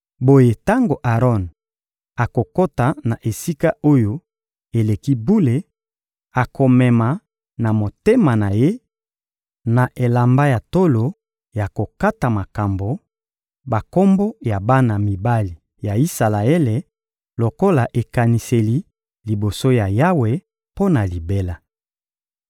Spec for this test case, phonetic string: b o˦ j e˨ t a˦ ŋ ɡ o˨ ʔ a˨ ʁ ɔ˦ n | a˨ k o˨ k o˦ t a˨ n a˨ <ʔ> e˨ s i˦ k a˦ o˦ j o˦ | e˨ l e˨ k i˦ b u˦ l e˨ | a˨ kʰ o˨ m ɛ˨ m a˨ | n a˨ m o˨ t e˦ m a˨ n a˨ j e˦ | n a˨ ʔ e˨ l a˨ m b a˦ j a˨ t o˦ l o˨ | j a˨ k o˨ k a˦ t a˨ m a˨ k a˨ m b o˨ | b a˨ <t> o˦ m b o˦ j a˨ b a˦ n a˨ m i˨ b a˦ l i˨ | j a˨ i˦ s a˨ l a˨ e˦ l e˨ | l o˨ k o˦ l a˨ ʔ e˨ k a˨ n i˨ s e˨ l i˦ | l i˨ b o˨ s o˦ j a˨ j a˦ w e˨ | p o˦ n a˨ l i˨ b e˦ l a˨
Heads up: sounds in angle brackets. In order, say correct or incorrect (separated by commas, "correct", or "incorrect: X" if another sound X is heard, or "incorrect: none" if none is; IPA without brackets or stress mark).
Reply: correct, incorrect: k